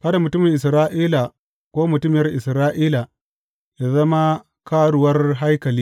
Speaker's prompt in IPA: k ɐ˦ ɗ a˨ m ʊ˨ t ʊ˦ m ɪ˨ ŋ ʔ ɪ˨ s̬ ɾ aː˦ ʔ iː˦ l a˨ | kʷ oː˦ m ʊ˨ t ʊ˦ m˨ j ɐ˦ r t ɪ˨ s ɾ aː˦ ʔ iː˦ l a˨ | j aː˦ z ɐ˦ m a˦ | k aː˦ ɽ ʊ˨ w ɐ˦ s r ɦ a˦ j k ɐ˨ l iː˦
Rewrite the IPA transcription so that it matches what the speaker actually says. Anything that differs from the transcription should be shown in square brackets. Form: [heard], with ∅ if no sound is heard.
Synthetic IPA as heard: k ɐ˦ [d] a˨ m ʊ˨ t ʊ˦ m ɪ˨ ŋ ʔ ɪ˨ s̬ ɾ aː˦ ʔ iː˦ l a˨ | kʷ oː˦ m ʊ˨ t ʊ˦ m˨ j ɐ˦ r [ʔ] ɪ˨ s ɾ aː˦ ʔ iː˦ l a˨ | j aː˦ z ɐ˦ m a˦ | k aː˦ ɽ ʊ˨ w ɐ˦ [∅] r ɦ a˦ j k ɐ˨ l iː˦